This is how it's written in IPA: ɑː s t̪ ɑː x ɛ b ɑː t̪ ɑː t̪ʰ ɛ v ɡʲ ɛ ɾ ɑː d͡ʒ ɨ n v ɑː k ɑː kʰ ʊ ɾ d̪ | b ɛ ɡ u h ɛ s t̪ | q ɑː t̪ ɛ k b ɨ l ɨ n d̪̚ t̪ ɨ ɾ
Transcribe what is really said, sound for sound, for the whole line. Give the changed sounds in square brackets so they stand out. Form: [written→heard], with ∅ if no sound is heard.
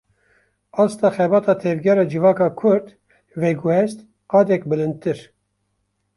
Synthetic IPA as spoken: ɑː s t̪ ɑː x ɛ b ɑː t̪ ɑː t̪ʰ ɛ v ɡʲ ɛ ɾ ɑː d͡ʒ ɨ [n→∅] v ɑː k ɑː kʰ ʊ ɾ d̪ | [b→v] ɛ ɡ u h ɛ s t̪ | q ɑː [t̪→d̪] ɛ k b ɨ l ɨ n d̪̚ t̪ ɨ ɾ